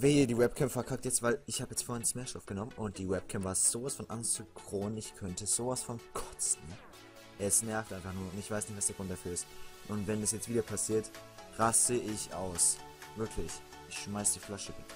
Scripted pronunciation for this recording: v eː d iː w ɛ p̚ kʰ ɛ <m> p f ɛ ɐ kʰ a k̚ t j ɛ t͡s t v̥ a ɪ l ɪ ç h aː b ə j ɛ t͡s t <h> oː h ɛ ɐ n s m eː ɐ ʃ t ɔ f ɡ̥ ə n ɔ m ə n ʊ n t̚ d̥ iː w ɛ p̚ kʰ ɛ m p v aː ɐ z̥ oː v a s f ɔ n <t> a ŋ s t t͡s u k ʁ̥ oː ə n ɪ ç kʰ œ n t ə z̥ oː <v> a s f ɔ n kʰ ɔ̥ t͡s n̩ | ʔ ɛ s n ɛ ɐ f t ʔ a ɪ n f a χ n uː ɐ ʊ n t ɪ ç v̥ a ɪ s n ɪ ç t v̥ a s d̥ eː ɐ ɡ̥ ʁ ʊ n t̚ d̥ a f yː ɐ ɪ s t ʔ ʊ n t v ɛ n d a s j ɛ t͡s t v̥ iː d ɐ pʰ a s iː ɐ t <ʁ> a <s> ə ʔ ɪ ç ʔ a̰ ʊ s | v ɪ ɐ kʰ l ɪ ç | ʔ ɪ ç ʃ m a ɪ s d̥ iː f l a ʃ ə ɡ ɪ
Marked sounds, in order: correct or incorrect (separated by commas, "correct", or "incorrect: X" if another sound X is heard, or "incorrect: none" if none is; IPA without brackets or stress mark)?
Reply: correct, incorrect: f, incorrect: ʔ, correct, correct, correct